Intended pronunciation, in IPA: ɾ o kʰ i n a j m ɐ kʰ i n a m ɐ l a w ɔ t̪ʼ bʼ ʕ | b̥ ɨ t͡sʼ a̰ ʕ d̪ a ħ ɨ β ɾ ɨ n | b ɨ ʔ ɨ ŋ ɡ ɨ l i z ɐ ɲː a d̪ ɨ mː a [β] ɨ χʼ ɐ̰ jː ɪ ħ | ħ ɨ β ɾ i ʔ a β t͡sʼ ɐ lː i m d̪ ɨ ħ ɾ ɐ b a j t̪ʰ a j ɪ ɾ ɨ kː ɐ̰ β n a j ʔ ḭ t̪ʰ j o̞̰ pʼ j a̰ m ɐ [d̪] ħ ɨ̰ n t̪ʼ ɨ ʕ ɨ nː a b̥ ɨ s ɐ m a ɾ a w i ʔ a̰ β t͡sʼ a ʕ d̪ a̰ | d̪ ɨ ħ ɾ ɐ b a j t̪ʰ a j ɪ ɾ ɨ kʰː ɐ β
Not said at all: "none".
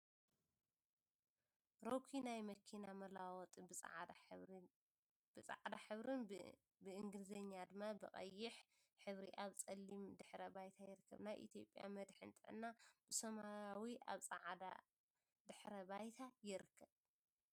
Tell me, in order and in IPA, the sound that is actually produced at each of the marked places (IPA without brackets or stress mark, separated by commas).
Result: b, d̪